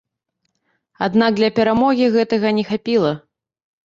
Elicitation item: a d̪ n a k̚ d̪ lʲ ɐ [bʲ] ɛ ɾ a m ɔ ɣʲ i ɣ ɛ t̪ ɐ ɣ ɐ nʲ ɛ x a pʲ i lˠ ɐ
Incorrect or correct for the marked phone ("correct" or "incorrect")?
incorrect